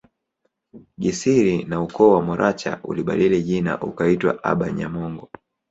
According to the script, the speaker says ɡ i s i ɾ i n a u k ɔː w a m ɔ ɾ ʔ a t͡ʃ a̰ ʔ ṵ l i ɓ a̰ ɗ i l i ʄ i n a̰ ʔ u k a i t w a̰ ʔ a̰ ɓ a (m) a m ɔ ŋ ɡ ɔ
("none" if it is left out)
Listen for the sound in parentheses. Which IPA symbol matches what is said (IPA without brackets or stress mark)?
ɲ